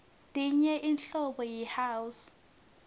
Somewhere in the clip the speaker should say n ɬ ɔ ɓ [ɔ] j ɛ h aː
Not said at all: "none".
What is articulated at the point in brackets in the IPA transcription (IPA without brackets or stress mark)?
ɔ